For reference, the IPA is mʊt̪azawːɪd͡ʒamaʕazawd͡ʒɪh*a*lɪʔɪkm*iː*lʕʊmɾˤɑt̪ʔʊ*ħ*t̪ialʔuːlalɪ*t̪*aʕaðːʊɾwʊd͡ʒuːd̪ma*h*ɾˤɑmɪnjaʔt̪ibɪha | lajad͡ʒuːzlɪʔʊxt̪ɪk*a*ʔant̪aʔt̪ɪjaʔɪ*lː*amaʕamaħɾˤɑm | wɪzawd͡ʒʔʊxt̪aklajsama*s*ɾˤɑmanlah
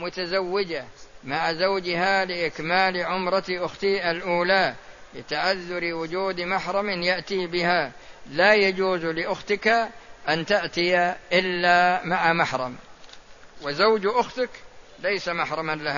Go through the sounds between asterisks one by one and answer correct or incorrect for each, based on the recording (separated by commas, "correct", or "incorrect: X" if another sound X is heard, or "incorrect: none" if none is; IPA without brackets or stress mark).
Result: correct, incorrect: aː, incorrect: x, correct, incorrect: ħ, correct, correct, incorrect: ħ